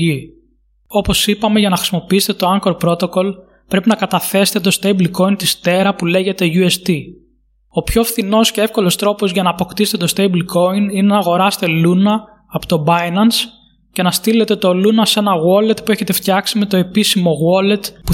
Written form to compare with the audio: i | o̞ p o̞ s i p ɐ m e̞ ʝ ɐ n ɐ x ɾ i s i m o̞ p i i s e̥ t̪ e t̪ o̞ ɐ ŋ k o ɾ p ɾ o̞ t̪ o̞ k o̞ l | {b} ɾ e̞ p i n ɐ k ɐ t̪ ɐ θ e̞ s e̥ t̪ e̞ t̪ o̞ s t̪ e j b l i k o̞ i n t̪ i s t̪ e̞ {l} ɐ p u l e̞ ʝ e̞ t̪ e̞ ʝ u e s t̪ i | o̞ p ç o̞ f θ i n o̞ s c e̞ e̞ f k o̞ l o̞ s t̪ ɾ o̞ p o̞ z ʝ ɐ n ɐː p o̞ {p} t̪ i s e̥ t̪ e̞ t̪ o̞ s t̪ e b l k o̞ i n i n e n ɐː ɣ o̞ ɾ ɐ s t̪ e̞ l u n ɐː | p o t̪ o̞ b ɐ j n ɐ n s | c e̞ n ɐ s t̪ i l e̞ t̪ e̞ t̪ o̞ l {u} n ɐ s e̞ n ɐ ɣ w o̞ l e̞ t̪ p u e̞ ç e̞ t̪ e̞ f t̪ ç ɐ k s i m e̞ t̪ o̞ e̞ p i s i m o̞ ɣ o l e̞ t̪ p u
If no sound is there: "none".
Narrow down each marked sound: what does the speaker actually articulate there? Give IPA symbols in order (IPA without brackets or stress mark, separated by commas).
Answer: p, ɾ, k, u